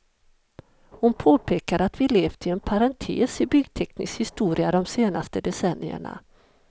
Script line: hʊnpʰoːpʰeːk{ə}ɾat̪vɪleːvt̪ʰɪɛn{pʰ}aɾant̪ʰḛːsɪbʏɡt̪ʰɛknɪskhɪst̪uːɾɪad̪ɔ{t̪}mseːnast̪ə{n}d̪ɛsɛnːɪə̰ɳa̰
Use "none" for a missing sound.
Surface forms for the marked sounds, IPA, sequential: a, pʰ, none, none

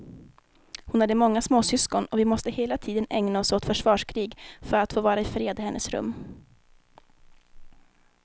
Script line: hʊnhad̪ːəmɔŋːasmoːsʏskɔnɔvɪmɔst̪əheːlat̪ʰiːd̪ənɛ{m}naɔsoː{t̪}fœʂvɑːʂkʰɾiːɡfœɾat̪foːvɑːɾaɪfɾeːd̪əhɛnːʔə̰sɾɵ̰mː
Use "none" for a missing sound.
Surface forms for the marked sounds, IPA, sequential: ŋ, t̪

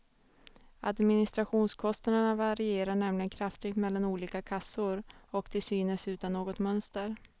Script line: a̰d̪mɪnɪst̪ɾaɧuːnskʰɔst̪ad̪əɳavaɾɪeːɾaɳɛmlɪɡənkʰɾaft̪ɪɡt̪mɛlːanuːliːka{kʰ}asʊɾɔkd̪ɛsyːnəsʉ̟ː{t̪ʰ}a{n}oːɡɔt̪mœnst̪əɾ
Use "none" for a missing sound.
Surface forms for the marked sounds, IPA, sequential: kʰ, t̪, nː

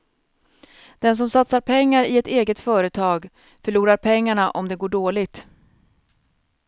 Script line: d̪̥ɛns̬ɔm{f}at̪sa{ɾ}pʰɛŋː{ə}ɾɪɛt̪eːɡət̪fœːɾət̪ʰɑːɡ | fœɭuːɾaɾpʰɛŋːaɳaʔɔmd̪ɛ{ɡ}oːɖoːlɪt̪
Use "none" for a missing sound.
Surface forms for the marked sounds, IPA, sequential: s, ɾ, a, ɡ

